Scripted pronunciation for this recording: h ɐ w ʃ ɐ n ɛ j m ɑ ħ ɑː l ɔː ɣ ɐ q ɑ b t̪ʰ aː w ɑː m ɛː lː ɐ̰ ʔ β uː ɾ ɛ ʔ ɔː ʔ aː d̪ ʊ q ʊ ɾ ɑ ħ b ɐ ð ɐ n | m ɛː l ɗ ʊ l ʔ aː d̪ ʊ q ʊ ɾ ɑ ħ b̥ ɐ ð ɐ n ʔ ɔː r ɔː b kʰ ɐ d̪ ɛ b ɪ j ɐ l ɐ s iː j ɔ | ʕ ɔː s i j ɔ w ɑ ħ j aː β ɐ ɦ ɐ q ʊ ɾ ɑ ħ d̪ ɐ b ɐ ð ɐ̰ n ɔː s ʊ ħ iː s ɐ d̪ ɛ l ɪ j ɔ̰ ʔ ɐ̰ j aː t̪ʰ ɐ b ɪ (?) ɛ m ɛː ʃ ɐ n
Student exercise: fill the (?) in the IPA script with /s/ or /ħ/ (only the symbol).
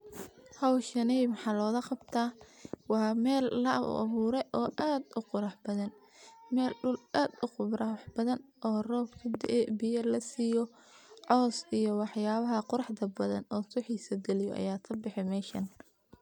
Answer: ħ